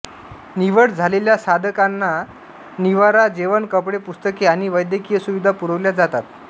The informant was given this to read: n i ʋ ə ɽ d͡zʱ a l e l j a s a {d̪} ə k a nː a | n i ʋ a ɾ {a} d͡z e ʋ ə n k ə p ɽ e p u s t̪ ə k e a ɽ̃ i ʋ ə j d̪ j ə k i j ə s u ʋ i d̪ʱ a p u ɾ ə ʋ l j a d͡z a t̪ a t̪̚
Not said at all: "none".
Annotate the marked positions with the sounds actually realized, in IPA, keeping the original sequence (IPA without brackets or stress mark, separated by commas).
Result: d̪, a